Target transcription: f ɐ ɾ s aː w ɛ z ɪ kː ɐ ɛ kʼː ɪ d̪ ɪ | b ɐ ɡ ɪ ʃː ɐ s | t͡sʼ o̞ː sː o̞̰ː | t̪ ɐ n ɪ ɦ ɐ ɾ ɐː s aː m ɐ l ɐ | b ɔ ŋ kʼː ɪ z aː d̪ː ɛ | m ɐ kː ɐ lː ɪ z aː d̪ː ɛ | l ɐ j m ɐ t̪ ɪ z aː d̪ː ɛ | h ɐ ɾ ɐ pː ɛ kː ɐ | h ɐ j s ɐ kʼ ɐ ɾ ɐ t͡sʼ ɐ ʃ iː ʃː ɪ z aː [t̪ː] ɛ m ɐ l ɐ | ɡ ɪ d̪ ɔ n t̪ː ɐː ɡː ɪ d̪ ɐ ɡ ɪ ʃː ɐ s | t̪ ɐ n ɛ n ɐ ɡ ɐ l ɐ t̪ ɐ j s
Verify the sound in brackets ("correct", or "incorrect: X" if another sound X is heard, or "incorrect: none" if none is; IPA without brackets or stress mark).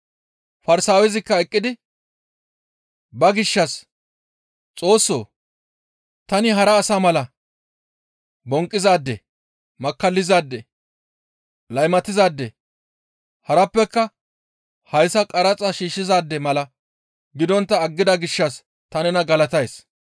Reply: incorrect: d̪ː